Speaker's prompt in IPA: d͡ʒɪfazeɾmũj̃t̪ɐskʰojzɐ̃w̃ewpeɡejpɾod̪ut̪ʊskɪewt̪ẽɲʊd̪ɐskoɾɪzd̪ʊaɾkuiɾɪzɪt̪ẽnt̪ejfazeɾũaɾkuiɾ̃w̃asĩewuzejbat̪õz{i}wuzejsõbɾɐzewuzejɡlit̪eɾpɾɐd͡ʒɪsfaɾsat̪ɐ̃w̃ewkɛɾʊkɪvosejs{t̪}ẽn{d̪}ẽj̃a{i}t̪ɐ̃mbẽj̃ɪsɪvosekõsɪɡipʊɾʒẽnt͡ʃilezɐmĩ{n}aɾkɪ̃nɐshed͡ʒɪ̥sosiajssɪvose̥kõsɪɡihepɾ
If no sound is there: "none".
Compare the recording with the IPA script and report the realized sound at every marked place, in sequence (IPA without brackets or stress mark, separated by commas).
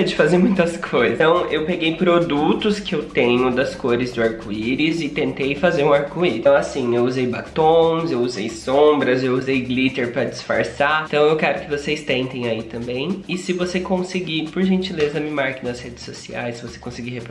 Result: e, t̪, t̪, i, m